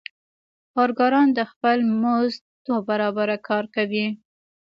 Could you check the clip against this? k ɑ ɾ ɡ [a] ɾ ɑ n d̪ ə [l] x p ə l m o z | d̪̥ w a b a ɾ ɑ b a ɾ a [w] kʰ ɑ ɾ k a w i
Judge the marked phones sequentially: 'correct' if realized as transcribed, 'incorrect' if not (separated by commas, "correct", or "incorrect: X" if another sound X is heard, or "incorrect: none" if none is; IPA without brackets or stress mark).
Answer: incorrect: ɑ, incorrect: none, incorrect: none